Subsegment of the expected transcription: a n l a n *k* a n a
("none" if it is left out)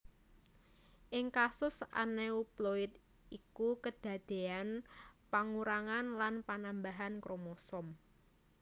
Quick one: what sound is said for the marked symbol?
p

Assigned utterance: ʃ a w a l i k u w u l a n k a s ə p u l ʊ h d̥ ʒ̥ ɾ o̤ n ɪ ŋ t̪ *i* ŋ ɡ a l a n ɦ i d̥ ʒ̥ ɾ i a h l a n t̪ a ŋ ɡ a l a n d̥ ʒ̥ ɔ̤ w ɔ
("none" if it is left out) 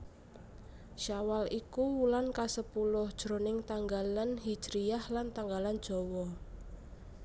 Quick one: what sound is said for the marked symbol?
a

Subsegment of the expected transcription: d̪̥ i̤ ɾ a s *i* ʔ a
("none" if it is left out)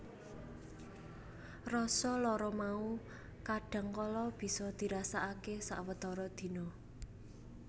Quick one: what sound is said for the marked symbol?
a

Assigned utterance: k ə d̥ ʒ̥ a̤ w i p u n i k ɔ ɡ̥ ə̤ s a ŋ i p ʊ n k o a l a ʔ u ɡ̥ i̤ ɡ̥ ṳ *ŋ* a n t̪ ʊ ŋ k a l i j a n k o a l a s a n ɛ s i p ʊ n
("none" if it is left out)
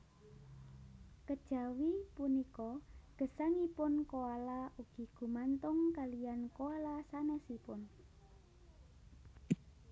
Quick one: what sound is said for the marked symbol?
m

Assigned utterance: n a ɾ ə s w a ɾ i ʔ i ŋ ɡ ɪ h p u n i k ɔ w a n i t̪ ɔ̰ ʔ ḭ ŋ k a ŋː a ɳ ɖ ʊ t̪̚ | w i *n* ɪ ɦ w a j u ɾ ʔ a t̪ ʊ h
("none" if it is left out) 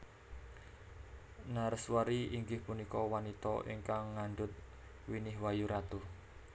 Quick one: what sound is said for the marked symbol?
n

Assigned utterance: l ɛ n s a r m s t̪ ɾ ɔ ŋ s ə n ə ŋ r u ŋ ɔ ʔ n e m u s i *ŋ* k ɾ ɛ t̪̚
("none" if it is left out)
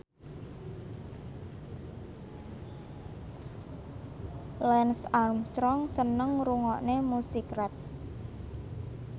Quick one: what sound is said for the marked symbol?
none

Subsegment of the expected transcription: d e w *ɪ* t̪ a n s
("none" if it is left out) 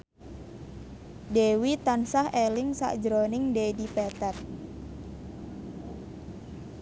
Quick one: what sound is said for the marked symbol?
i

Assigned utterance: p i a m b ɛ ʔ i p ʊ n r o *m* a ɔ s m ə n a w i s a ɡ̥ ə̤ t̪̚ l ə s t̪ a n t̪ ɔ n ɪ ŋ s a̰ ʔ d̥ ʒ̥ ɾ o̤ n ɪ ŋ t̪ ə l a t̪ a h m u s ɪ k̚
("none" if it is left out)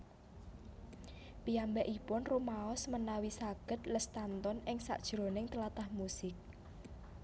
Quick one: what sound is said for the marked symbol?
m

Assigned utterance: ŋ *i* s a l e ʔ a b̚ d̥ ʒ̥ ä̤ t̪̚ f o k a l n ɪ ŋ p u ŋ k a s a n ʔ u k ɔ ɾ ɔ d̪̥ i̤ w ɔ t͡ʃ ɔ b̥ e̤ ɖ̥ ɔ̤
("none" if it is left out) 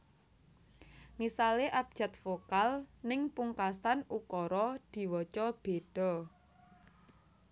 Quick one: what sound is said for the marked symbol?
i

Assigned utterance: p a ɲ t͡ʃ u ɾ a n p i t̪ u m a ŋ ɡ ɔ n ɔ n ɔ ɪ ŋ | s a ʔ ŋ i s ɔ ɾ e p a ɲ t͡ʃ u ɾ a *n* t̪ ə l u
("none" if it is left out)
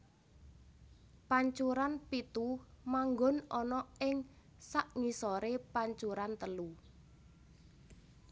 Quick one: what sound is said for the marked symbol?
n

